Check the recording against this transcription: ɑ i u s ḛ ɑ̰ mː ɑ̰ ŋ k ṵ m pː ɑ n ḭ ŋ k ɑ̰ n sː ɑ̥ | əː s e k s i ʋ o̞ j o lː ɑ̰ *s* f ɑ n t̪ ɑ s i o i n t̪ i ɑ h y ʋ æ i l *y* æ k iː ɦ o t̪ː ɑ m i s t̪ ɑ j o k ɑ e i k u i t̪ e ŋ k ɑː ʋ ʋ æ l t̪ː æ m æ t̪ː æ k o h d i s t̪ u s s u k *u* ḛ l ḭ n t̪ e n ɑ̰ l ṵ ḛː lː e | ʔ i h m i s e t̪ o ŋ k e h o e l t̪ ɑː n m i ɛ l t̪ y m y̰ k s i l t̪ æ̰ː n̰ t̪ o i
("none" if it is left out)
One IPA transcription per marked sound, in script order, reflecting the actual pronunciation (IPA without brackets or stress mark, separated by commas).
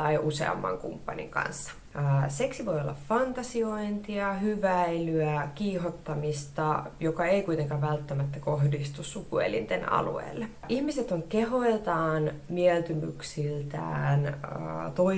f, y, u